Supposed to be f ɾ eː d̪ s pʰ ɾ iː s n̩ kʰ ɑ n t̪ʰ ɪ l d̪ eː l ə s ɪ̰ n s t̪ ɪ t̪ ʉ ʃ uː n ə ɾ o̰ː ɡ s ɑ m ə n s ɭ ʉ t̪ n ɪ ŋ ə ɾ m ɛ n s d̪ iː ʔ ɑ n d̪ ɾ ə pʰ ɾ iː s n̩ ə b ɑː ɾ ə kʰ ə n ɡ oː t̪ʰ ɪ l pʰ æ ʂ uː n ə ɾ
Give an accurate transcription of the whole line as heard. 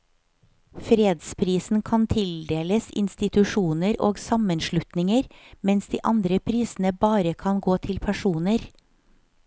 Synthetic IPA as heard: f ɾ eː d̪ s pʰ ɾ iː s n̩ kʰ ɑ n t̪ʰ ɪ l d̪ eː l ə s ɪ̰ n s t̪ ɪ t̪ ʉ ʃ uː n ə ɾ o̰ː ɡ s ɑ m ə n ʃ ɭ ʉ t̪ n ɪ ŋ ə ɾ m ɛ n s d̪ iː ʔ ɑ n d̪ ɾ ə pʰ ɾ iː s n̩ ə b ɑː ɾ ə kʰ ɑ n ɡ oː t̪ʰ ɪ l pʰ æ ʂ uː n ə ɾ